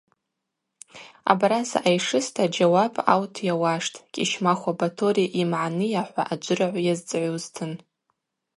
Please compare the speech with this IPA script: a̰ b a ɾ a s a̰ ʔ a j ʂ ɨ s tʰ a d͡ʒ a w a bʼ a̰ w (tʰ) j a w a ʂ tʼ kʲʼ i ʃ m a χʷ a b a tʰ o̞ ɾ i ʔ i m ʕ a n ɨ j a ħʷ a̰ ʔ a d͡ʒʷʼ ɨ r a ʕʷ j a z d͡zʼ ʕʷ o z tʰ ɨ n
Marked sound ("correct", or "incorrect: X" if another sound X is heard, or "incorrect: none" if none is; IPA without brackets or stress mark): correct